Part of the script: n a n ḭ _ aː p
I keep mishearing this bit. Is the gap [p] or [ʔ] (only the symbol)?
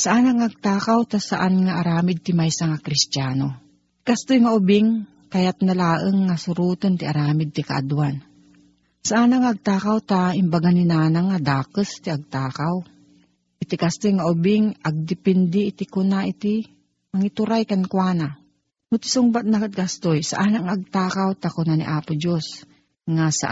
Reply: ʔ